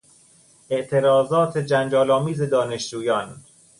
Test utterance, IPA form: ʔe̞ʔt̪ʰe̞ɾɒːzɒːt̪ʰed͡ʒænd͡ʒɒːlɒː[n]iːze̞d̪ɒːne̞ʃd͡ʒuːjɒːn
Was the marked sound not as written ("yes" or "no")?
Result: yes